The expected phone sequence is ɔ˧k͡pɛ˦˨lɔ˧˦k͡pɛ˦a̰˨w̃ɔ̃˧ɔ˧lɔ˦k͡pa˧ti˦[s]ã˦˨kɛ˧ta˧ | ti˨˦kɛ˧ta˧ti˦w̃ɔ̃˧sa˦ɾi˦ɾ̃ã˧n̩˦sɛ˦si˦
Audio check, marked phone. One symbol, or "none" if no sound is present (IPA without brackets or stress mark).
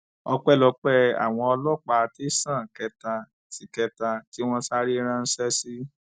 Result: s